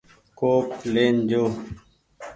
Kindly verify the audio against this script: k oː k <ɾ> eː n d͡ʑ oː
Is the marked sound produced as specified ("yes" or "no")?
no